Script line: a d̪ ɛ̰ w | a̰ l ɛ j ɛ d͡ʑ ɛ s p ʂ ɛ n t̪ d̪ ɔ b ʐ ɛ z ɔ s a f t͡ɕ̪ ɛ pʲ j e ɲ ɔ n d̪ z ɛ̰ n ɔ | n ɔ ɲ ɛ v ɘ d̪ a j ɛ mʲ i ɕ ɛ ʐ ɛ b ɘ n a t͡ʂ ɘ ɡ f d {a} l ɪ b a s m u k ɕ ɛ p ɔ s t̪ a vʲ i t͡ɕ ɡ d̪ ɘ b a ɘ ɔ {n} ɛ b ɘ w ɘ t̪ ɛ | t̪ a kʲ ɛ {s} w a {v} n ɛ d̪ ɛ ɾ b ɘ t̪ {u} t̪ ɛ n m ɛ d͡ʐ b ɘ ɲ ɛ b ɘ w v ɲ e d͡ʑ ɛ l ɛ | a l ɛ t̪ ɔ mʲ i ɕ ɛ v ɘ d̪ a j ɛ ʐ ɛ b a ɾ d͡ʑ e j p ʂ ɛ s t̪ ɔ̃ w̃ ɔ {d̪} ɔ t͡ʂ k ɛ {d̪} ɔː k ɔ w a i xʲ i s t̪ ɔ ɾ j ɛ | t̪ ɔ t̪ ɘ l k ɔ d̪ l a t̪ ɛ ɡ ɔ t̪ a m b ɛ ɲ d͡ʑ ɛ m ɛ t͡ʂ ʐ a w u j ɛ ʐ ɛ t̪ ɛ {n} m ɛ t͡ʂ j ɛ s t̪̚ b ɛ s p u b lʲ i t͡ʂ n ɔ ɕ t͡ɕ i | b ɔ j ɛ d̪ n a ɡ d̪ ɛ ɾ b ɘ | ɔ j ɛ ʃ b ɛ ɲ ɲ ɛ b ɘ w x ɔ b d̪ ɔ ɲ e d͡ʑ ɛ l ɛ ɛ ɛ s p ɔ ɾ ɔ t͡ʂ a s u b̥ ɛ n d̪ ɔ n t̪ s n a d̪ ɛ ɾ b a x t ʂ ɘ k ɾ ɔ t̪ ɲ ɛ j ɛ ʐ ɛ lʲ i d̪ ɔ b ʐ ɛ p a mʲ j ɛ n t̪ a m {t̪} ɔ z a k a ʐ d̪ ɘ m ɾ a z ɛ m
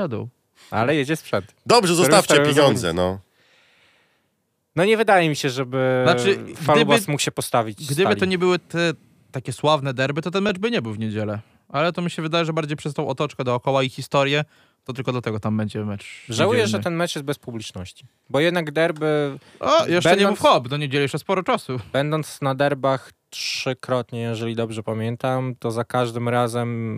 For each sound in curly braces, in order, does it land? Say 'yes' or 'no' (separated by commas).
yes, no, yes, yes, no, no, yes, yes, yes